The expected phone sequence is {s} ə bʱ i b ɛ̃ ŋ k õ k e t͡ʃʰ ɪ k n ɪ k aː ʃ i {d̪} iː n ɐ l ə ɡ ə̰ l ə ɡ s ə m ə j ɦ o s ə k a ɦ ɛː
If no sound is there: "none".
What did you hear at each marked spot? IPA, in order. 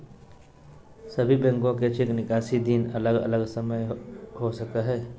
s, d̪

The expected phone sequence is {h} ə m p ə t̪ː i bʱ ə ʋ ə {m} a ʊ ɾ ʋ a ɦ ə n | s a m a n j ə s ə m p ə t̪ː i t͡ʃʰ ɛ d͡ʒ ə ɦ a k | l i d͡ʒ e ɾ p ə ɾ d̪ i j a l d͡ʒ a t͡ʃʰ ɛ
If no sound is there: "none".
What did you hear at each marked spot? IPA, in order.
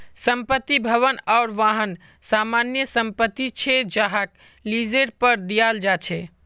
s, n

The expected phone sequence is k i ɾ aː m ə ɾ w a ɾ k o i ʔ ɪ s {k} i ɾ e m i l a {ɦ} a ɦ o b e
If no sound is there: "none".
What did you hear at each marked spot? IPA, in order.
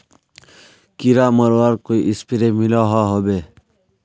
p, ɦ

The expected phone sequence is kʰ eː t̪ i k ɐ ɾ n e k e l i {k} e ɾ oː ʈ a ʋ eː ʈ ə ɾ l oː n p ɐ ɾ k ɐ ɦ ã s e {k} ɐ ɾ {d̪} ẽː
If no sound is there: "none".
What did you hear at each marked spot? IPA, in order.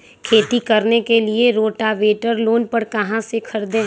none, kʰ, d̪

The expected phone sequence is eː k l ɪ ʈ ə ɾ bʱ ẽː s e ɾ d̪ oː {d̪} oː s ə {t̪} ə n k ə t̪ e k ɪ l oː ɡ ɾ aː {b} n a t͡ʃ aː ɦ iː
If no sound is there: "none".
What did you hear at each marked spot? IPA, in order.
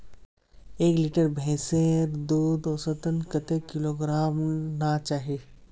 d̪, t̪, m

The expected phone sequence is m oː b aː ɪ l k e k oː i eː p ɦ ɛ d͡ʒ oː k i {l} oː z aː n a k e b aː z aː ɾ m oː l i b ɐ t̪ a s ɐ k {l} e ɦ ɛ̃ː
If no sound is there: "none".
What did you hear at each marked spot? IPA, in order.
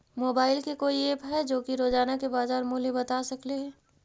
ɾ, l

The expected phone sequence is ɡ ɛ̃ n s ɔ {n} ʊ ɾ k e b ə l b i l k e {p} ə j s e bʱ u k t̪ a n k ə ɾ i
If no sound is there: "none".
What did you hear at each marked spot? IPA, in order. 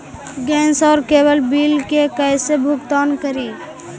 none, k

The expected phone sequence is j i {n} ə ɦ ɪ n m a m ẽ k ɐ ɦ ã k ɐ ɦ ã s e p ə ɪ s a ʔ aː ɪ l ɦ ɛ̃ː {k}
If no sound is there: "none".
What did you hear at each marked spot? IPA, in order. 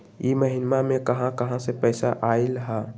m, none

